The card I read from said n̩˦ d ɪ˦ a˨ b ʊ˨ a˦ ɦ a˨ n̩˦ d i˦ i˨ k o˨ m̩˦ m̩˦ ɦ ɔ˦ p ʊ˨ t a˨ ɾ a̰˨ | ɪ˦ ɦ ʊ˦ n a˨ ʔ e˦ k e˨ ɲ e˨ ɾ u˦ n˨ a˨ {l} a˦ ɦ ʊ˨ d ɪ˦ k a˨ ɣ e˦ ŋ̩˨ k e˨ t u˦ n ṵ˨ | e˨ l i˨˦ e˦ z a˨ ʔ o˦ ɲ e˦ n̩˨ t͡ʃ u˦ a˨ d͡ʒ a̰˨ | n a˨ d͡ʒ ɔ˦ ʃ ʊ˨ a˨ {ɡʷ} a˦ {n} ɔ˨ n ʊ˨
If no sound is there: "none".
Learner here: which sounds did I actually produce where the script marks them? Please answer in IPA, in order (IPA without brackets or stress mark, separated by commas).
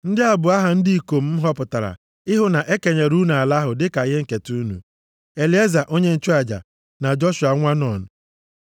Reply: l, ŋʷ, n